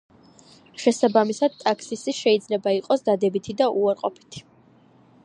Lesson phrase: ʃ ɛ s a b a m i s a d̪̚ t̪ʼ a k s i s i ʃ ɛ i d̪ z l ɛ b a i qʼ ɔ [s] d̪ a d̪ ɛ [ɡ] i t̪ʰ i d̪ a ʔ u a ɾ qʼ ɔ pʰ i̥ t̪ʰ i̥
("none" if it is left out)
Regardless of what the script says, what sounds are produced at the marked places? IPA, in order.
s, b

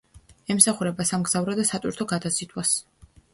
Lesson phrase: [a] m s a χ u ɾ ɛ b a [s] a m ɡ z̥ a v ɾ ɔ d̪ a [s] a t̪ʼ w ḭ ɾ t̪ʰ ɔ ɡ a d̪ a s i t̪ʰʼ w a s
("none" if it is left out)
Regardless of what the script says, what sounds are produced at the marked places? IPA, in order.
ɛ, s, s

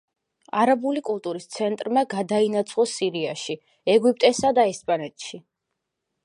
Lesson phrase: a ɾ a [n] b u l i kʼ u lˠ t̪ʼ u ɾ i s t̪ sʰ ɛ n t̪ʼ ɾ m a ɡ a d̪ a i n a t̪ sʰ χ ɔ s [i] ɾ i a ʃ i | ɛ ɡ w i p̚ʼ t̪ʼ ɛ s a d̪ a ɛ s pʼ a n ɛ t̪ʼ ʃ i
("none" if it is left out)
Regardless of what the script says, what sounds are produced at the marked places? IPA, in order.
none, i

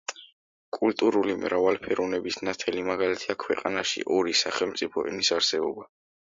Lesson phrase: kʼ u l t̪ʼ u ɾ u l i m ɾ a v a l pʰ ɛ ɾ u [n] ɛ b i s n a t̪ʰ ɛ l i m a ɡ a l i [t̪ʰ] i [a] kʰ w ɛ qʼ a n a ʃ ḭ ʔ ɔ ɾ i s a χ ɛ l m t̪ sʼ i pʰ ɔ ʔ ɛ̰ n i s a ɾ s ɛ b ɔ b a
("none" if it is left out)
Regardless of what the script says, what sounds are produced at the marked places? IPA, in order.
n, t̪ʰ, a

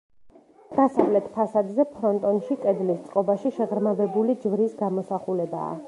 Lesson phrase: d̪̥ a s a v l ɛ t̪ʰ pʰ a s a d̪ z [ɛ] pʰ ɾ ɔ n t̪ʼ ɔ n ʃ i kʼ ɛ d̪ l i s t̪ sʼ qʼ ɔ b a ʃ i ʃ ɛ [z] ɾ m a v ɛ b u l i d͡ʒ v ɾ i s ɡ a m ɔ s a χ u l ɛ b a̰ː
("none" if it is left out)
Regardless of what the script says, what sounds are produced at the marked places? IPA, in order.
ɛ, ʁ

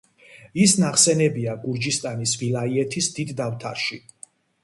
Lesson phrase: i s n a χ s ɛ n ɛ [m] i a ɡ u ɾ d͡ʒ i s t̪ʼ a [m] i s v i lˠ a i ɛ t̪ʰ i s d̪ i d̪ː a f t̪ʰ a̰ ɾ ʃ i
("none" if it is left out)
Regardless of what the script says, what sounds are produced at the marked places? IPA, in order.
b, n

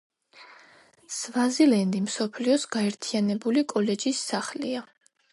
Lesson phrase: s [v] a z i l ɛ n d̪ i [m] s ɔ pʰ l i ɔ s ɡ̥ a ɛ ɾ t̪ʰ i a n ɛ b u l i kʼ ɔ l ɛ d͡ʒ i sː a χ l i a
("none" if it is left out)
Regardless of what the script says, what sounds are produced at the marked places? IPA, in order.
v, m

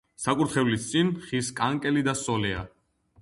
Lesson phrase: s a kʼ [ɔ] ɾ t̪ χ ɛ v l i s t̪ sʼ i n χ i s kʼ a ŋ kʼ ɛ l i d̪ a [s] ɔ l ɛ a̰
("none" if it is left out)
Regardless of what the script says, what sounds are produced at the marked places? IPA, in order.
u, s

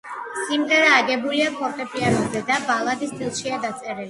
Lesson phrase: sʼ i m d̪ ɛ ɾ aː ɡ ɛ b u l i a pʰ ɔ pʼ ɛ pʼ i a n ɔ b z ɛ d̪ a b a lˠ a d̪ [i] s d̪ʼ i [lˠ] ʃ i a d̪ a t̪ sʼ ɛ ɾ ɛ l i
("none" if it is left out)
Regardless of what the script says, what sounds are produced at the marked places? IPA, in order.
i, lˠ

